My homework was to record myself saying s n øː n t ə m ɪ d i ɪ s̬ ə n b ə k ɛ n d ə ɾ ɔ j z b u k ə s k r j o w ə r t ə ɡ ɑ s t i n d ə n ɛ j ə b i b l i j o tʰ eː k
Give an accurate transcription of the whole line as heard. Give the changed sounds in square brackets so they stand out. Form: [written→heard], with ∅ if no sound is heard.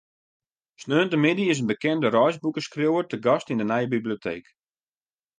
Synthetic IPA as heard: s n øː n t ə m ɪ d i ɪ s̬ ə n b ə k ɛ n d ə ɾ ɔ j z b u k ə s k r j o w ə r t ə ɡ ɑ s t i n d ə n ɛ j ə b i b l i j o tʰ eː k